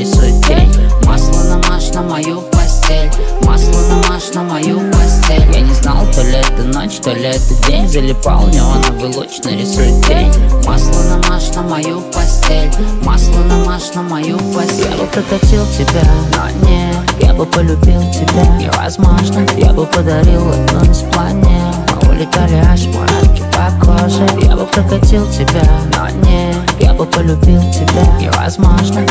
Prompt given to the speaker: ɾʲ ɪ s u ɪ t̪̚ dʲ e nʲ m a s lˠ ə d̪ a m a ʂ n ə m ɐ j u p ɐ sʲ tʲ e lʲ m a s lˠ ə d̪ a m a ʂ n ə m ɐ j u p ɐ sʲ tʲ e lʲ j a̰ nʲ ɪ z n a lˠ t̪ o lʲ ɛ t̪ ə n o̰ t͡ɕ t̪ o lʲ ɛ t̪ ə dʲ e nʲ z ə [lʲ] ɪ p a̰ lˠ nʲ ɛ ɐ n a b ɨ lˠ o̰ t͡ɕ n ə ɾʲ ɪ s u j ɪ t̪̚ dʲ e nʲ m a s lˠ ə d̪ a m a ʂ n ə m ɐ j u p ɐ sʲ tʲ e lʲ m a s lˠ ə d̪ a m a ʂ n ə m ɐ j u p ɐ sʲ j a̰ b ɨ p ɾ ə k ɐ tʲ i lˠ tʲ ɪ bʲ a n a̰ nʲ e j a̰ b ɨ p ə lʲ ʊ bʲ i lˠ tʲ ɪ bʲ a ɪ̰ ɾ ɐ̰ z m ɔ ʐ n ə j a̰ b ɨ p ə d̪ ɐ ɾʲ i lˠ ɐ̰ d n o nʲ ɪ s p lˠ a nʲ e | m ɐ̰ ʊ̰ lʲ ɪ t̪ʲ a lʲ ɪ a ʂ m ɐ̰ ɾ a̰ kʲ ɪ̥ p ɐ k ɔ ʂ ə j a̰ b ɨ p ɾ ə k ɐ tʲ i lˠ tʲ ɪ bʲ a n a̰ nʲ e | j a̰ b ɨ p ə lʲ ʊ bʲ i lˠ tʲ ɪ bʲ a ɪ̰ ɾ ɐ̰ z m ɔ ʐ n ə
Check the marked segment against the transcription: correct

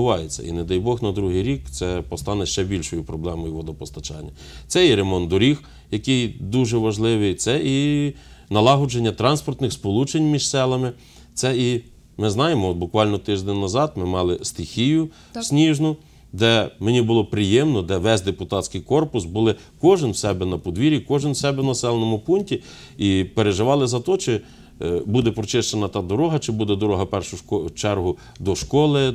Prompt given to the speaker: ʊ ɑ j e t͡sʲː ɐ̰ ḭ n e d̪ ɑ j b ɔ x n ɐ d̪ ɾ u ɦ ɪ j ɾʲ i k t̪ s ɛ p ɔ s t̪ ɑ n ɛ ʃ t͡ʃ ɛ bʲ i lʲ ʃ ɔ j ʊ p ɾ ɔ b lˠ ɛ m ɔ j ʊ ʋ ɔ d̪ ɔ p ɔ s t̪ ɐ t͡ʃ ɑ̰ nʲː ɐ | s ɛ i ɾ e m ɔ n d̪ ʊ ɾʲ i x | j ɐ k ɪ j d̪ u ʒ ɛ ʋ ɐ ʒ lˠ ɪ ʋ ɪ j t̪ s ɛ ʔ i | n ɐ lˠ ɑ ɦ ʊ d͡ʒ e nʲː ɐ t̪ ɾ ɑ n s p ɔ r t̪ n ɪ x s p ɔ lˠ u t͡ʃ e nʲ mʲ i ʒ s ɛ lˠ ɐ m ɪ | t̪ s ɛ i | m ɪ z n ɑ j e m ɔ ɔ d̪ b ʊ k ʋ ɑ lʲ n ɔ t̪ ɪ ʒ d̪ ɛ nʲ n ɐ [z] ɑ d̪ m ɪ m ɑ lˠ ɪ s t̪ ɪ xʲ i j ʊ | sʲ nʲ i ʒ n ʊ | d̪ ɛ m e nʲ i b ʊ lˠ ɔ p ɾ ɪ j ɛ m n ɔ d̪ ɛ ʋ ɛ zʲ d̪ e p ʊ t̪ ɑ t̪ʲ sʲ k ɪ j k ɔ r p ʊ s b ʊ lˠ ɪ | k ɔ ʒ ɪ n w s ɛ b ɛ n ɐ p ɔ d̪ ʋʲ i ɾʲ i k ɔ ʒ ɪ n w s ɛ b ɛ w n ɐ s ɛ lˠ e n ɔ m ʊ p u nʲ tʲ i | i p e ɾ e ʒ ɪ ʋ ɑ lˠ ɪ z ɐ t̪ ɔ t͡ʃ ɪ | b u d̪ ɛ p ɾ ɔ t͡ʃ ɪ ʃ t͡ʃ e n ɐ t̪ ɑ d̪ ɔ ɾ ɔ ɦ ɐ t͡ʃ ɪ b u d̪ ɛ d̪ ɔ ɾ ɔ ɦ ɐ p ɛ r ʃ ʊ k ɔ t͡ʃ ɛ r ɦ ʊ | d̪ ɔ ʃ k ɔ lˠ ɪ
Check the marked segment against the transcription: correct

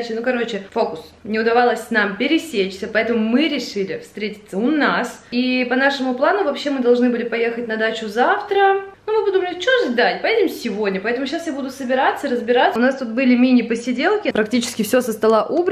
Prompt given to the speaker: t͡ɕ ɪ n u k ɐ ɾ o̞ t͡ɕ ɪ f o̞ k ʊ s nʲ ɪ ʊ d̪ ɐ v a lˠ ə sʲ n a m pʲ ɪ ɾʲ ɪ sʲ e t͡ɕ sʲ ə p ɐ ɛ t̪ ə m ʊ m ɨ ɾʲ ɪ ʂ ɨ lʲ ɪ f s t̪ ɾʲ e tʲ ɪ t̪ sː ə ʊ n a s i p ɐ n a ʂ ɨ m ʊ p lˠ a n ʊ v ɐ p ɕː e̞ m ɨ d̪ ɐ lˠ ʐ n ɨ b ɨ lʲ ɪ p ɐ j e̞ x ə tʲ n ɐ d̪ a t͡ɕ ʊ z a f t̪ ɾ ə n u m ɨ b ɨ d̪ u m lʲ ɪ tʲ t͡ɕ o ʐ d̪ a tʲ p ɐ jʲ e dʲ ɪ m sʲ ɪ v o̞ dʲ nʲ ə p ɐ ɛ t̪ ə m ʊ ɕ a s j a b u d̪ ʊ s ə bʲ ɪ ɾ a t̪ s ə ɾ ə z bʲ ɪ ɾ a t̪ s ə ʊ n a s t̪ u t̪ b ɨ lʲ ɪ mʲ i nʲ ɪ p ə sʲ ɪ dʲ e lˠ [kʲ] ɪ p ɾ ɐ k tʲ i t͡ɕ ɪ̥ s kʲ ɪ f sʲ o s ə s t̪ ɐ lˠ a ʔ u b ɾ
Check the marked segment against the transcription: correct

